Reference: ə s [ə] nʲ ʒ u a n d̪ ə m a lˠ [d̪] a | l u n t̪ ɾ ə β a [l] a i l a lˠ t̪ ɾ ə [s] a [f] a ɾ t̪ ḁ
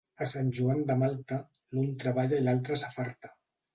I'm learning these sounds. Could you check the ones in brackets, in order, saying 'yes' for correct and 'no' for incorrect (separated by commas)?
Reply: no, no, no, yes, yes